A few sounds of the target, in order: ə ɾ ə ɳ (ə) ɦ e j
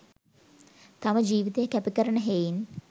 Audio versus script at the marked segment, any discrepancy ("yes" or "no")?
no